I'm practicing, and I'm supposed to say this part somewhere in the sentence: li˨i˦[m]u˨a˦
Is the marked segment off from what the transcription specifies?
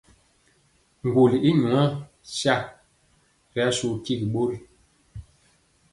yes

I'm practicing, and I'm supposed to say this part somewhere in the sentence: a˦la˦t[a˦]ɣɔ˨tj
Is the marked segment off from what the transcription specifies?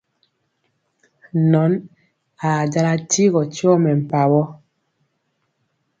yes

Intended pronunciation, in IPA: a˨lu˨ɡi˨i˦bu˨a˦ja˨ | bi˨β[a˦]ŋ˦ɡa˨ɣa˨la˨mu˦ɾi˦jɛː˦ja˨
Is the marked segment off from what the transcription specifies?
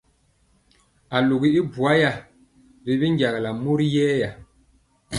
yes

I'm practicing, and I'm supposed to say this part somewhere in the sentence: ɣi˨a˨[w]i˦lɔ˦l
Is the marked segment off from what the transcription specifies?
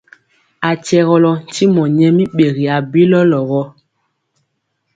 yes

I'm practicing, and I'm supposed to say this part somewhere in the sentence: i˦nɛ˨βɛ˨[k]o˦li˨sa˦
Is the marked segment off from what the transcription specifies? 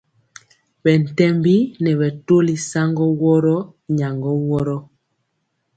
yes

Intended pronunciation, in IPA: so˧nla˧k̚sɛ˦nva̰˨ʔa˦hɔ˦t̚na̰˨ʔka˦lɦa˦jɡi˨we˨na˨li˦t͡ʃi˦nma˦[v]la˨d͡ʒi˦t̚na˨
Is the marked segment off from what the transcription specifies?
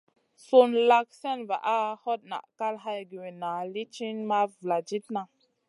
no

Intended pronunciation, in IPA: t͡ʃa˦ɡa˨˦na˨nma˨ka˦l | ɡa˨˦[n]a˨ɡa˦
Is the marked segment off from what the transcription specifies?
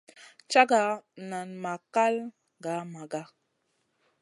yes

